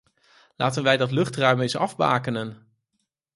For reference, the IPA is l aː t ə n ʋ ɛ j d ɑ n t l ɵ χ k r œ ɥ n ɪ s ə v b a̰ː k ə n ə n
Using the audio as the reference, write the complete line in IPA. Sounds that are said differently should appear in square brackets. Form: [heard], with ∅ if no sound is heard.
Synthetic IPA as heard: l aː t ə n ʋ ɛ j d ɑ [∅] t l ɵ χ [t] r œ ɥ [m] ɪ s [ɑ] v b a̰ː k ə n ə n